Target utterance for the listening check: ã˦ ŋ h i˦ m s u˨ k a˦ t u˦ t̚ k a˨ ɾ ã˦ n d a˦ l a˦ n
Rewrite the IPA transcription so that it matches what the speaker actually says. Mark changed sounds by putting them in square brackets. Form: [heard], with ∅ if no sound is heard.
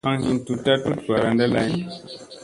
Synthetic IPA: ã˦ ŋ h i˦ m [t] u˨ [t] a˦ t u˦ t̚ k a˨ ɾ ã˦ n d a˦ l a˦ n